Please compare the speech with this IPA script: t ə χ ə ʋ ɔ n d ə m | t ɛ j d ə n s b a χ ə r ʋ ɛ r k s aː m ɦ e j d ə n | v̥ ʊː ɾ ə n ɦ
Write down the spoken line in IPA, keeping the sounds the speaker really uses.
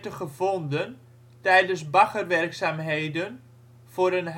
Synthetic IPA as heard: t ə χ ə v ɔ n d ə n | t ɛ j d ə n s b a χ ə r ʋ ɛ r k s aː m ɦ e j d ə n | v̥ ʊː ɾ ə n ɦ